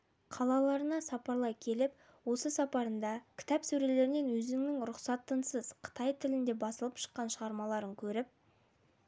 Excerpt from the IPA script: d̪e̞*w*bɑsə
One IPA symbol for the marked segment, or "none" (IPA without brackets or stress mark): none